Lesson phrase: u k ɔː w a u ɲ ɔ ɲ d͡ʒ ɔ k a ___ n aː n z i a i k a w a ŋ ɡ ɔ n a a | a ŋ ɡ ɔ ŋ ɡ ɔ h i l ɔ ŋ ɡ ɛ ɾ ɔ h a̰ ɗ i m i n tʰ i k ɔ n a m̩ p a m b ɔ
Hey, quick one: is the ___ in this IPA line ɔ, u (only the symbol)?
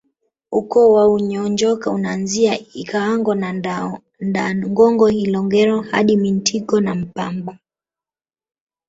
u